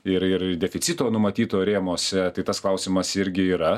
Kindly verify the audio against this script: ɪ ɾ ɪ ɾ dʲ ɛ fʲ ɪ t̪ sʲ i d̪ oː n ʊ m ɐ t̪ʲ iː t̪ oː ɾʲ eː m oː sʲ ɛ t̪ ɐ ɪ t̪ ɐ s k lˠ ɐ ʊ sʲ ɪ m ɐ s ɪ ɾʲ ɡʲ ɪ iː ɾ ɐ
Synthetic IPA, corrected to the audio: ɪ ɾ ɪ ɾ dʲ ɛ fʲ ɪ t̪ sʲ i t̪ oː n ʊ m ɐ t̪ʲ iː t̪ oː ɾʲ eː m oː sʲ ɛ t̪ ɐ ɪ t̪ ɐ s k lˠ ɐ ʊ sʲ ɪ m ɐ s ɪ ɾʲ ɡʲ ɪ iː ɾ ɐ